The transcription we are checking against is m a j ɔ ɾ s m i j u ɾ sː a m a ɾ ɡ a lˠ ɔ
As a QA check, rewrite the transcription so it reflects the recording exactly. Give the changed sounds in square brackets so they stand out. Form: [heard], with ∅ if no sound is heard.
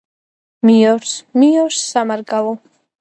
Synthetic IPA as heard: m [i] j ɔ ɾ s m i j [ɔ] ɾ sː a m a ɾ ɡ a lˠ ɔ